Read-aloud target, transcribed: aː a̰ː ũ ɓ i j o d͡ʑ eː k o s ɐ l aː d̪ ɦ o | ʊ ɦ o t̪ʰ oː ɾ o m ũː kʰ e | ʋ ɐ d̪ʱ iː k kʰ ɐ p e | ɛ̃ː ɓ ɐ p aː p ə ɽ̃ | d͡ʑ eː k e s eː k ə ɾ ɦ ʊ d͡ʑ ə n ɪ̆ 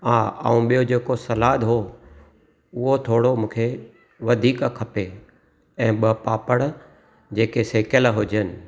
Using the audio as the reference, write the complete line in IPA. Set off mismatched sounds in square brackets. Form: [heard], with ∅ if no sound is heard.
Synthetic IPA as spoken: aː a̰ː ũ ɓ i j o d͡ʑ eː k o s ɐ l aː d̪ ɦ o | ʊ ɦ o t̪ʰ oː [ɽ] o m ũː kʰ e | ʋ ɐ d̪ʱ iː k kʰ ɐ p e | ɛ̃ː ɓ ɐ p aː p ə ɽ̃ | d͡ʑ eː k e s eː k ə [l] ɦ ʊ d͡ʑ ə n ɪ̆